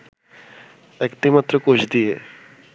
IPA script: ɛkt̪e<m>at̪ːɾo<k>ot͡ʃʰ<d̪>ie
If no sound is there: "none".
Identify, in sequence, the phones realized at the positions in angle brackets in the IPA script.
m, k, d̪

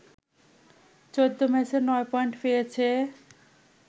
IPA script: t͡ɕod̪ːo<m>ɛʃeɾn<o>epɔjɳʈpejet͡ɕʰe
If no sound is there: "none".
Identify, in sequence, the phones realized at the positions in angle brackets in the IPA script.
m, ɔ

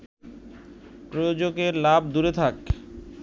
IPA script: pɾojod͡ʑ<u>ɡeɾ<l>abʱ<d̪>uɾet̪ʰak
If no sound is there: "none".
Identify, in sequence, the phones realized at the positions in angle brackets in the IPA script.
o, l, d̪

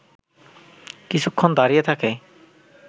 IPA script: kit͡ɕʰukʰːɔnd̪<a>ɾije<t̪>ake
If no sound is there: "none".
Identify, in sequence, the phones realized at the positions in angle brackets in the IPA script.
a, t̪ʰ

